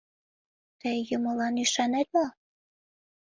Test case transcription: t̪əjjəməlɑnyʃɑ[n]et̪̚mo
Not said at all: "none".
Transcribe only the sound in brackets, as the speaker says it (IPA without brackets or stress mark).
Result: n